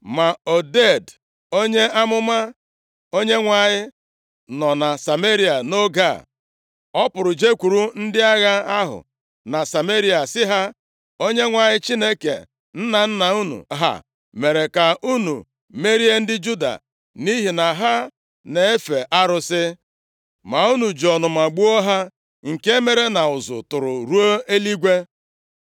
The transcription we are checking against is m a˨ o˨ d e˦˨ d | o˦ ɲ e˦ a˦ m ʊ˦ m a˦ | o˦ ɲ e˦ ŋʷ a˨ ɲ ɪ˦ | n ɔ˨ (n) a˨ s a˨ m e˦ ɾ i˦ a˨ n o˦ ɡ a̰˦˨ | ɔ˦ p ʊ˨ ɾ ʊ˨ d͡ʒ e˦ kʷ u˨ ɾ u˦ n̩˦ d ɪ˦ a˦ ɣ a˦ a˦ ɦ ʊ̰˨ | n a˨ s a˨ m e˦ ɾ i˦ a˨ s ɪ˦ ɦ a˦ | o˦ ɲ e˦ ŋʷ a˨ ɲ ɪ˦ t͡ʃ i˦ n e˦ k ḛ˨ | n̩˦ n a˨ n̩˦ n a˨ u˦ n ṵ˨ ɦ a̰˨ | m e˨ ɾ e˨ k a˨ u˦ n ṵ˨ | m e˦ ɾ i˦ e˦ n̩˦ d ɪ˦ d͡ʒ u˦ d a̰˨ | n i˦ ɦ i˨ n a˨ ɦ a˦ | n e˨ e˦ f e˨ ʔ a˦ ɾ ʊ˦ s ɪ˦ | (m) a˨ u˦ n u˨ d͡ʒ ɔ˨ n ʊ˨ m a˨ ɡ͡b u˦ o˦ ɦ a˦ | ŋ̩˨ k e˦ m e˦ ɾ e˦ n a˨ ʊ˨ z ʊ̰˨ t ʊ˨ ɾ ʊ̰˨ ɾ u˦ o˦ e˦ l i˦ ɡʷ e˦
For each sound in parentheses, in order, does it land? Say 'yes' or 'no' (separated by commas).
yes, yes